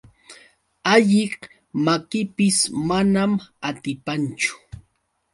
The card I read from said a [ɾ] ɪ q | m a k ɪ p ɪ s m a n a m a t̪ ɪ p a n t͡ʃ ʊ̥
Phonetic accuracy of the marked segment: incorrect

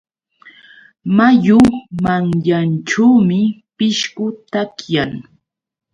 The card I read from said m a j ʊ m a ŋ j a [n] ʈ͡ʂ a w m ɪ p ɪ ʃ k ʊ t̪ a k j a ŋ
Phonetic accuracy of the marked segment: correct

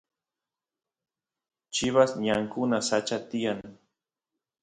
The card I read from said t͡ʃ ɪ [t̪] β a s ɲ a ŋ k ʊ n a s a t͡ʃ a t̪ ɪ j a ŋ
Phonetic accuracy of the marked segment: incorrect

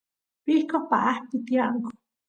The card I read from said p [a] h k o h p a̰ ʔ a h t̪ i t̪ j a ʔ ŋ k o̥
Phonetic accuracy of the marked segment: incorrect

